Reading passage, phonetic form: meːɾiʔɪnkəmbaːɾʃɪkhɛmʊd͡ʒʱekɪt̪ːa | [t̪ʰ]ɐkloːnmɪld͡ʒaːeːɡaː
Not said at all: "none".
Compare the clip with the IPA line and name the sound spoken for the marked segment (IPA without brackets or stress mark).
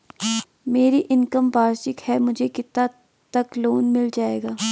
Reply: t̪